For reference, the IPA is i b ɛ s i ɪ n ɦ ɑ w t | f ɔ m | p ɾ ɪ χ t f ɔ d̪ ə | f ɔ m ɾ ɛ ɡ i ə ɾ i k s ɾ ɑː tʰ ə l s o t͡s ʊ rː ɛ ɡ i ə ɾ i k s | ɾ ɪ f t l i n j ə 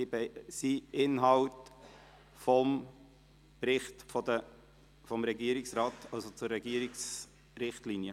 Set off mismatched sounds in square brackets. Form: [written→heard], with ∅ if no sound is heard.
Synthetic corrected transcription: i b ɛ s i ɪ n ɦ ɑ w t | f ɔ m | p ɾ ɪ χ t f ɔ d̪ ə | f ɔ m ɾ ɛ ɡ i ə ɾ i k s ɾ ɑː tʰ [ə→ɑ] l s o t͡s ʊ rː ɛ ɡ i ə ɾ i k s | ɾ ɪ [f→χ] t l i n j ə